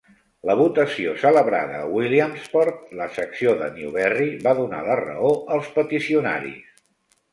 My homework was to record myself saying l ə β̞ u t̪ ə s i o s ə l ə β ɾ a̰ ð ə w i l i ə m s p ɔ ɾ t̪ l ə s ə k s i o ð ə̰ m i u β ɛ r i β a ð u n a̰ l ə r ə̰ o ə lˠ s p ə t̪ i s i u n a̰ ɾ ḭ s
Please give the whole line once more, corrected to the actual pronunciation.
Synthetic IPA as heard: l ə β̞ u t̪ ə s i o s ə l ə β ɾ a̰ ð ə w i l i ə m s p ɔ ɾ t̪ l ə s ə k s i o ð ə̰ n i u β ɛ r i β a ð u n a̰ l ə r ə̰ o ə lˠ s p ə t̪ i s i u n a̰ ɾ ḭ s